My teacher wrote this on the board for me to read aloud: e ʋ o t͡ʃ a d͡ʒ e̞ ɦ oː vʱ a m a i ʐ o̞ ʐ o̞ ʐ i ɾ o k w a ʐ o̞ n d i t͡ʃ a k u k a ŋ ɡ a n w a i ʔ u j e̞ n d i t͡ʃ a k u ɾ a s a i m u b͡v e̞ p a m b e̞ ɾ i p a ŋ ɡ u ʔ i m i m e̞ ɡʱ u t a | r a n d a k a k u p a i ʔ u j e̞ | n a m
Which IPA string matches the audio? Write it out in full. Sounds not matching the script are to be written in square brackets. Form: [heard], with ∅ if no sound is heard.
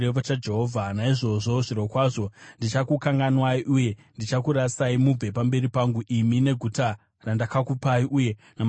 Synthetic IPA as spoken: e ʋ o t͡ʃ a d͡ʒ e̞ ɦ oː vʱ a [n] a i ʐ o̞ ʐ o̞ ʐ i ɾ o k w a ʐ o̞ n d i t͡ʃ a k u k a ŋ ɡ a n w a i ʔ u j e̞ n d i t͡ʃ a k u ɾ a s a i m u b͡v e̞ p a m b e̞ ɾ i p a ŋ ɡ u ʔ i m i [n] e̞ ɡʱ u t a | r a n d a k a k u p a i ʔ u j e̞ | n a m